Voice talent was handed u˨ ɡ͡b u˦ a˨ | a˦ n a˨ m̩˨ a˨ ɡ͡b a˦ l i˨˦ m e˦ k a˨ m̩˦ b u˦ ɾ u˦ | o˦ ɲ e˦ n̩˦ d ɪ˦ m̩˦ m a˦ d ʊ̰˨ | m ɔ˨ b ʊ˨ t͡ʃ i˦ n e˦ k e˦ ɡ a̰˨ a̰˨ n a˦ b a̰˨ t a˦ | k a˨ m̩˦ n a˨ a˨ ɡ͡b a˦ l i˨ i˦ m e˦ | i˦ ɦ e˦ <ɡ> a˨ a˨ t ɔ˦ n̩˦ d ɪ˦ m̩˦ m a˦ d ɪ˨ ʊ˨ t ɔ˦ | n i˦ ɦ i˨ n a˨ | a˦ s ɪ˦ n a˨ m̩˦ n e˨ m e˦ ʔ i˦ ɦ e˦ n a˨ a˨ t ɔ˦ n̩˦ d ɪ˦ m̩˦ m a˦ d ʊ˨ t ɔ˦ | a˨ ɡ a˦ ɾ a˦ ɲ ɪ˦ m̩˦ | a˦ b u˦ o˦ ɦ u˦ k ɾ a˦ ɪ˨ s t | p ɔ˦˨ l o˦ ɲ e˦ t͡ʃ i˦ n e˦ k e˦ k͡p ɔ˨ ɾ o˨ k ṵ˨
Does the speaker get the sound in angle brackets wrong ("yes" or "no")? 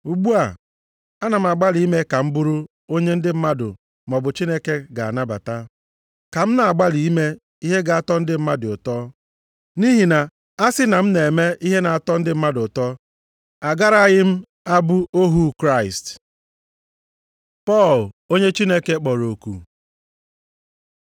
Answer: no